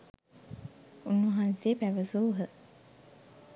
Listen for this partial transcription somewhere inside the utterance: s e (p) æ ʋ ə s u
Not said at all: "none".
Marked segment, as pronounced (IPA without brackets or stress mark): p